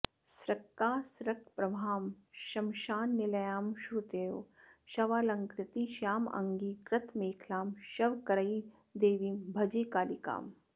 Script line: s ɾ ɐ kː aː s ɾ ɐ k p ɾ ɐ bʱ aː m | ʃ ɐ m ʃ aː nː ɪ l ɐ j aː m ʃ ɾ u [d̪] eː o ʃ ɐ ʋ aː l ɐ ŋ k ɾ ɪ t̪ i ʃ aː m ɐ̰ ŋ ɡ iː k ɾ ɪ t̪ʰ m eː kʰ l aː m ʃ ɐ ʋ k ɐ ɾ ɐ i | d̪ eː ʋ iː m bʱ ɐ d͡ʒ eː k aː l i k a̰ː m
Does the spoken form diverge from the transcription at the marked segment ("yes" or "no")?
yes